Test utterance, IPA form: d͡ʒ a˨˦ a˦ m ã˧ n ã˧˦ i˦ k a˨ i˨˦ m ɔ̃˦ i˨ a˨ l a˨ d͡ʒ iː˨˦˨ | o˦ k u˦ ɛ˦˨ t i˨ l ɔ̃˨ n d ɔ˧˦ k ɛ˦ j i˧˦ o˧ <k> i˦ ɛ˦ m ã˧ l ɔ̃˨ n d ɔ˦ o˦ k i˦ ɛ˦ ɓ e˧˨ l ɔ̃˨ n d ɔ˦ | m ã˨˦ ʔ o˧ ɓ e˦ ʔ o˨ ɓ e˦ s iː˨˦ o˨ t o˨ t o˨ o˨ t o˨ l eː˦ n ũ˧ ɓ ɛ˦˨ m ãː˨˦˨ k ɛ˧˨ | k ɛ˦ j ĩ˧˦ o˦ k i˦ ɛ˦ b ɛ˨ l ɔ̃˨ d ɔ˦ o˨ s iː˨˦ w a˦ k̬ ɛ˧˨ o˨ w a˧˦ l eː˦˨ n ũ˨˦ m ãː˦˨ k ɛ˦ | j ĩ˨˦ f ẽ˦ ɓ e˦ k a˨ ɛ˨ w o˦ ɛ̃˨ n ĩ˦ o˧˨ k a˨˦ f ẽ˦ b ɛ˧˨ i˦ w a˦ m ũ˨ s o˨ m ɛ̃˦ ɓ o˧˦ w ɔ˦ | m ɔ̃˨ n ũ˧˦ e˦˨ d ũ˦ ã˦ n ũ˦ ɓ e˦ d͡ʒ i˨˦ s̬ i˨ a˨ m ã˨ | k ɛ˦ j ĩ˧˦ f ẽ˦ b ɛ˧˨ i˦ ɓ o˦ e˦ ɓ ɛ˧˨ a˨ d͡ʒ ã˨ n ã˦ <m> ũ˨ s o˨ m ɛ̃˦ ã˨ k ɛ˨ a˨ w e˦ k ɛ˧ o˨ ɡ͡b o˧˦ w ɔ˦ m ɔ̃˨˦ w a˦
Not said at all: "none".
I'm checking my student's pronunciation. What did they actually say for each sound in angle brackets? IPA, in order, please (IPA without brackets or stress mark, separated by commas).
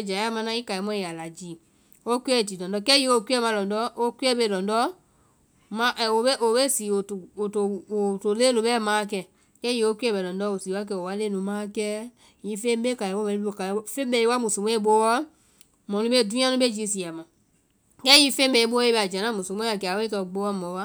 k, m